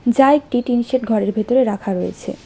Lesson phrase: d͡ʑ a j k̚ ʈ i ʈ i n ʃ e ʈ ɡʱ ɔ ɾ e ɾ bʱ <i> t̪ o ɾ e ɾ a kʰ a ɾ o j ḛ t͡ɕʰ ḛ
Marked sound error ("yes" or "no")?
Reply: yes